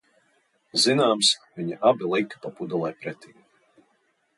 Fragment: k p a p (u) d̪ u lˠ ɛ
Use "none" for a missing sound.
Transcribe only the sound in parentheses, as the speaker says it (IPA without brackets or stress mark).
u